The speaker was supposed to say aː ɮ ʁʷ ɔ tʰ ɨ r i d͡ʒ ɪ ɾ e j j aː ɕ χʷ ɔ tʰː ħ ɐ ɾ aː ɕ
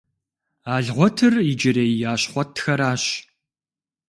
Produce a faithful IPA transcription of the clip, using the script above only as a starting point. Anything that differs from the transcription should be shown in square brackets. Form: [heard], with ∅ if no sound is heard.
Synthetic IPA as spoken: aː ɮ ʁʷ ɔ tʰ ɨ r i d͡ʒ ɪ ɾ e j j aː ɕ χʷ ɔ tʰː [x] ɐ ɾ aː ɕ